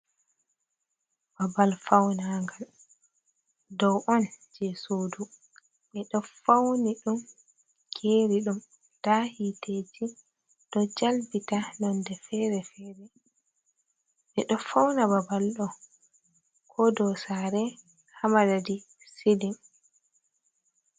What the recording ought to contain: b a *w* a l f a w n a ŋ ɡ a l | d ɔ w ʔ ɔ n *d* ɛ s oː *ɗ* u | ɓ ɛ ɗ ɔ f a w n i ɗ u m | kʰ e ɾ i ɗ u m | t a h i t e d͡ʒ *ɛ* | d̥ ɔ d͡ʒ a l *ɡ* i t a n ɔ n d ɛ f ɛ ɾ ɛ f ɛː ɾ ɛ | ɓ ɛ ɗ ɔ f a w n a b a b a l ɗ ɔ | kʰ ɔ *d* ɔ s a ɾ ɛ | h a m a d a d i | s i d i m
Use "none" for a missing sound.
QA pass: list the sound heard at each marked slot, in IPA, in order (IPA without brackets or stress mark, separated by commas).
b, d͡ʒ, d, i, b, d